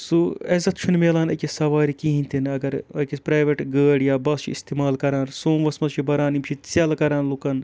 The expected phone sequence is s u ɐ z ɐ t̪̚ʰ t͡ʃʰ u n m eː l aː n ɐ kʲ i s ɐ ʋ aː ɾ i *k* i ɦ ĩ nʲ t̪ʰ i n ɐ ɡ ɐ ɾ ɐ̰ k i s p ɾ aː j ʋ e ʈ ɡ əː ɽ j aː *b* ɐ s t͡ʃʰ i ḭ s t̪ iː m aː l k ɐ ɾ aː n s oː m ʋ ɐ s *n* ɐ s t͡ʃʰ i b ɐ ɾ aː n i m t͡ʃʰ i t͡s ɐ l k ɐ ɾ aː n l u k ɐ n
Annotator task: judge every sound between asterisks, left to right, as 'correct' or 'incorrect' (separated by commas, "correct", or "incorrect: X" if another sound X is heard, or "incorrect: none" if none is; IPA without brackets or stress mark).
correct, correct, incorrect: m